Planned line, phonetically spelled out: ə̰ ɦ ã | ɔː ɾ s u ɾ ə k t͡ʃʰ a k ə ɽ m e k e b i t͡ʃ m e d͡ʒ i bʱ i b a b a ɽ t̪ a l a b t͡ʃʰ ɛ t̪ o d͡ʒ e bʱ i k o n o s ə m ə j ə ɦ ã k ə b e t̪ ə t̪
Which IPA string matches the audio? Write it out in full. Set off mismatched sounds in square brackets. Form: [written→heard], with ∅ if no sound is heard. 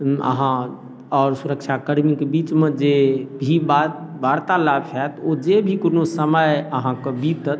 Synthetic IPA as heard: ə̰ ɦ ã | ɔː ɾ s u ɾ ə k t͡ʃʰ a k ə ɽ m [e→i] k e b i t͡ʃ m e d͡ʒ [i→e] bʱ i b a b a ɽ t̪ a l a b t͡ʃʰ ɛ t̪ o d͡ʒ e bʱ i k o n o s ə m ə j ə ɦ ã k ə b [e→i] t̪ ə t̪